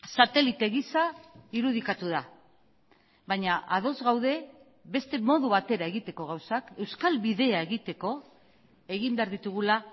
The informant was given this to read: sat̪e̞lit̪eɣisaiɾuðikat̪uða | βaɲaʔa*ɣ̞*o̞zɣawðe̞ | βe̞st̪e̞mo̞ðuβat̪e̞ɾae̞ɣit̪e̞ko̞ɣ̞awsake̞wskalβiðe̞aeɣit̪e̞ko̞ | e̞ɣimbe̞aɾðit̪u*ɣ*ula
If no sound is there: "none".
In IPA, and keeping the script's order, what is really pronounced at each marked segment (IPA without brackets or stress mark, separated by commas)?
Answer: ð̞, ɣ